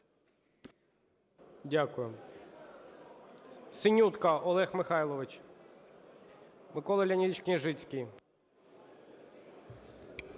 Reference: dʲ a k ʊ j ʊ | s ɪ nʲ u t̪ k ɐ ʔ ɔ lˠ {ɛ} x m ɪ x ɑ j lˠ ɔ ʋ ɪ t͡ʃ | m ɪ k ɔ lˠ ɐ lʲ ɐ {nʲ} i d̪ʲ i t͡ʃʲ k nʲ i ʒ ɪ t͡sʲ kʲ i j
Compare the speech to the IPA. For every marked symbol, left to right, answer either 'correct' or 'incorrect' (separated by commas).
correct, correct